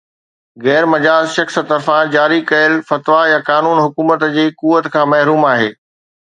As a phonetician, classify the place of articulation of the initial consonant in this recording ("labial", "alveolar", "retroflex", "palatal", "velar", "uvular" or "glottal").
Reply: velar